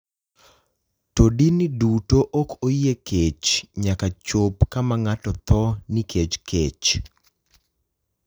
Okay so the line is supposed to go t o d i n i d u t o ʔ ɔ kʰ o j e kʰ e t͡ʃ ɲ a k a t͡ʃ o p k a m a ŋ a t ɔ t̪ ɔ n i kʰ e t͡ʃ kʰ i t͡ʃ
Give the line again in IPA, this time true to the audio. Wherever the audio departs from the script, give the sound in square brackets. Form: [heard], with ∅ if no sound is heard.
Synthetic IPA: t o d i n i d u t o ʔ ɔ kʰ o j e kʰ e t͡ʃ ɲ a k a t͡ʃ o p k a m a ŋ a t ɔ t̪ ɔ n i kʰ e t͡ʃ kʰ [e] t͡ʃ